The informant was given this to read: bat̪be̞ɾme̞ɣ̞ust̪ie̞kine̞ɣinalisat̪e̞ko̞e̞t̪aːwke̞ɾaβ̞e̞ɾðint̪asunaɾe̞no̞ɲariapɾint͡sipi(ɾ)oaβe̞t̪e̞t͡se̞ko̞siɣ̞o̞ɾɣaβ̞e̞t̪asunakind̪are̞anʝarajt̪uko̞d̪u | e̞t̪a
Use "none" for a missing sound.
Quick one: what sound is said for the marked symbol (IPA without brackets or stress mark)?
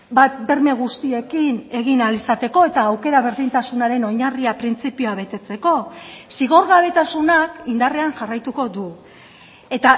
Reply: none